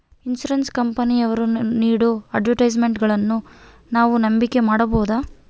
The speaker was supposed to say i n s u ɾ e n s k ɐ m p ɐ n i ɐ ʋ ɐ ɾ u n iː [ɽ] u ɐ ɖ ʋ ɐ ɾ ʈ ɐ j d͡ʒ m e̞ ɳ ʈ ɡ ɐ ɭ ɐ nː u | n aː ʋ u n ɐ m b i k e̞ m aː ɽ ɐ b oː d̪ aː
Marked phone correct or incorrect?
correct